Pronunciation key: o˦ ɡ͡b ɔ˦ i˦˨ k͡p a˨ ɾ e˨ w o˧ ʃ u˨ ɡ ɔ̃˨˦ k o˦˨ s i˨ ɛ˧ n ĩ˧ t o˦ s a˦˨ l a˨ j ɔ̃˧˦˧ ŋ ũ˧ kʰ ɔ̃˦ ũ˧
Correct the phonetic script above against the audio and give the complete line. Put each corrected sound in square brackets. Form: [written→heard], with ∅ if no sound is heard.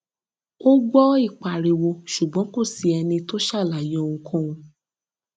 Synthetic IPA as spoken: o˦ ɡ͡b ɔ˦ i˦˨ k͡p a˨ ɾ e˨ w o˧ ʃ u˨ [ɡ→ɡ͡b] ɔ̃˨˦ k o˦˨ s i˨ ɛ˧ n ĩ˧ t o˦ [s→ʃ] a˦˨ l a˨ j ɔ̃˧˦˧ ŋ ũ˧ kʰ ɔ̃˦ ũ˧